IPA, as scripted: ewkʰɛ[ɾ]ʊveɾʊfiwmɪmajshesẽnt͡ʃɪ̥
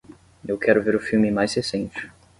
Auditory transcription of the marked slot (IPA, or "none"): ɾ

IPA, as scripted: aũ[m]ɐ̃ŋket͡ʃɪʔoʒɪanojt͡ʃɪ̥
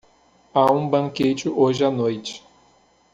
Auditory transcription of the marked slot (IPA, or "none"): b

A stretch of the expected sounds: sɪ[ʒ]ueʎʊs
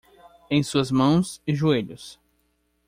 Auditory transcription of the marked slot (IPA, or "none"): ʒ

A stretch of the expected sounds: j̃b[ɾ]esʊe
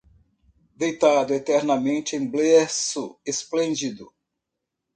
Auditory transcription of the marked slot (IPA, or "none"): l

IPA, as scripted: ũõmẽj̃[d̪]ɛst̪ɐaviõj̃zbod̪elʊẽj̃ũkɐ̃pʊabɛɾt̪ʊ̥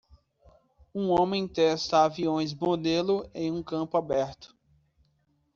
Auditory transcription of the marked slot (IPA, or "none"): t̪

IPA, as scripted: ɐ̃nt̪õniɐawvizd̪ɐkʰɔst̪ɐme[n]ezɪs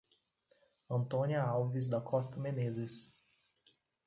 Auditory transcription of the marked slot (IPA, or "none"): n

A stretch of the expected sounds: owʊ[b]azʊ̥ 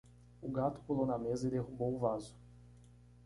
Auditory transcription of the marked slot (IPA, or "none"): v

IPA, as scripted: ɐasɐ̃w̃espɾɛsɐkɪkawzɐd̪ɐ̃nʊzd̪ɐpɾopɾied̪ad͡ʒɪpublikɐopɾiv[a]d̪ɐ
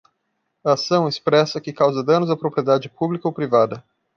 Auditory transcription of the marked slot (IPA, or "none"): a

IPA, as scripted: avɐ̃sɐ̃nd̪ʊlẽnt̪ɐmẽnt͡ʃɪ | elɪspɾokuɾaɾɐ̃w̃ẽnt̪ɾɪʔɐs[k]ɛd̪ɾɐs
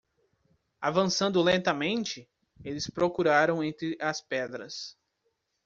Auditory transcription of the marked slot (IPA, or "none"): p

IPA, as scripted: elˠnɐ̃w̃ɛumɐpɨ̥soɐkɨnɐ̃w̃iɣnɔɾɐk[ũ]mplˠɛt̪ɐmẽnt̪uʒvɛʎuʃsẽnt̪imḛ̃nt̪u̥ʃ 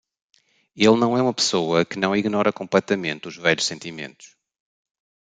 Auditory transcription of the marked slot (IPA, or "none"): õ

